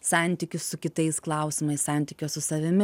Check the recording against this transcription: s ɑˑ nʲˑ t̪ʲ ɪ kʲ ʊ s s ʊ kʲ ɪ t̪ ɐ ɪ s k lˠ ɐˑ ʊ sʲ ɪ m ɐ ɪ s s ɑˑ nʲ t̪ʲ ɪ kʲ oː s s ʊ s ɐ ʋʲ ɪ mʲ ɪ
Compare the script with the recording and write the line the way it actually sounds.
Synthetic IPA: s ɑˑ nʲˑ t̪ʲ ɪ kʲ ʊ s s ʊ kʲ ɪ t̪ ɐ ɪ s k lˠ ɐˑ ʊ sʲ ɪ m ɐ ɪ s s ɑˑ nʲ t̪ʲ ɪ kʲ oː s s ʊ s ɐ ʋʲ ɪ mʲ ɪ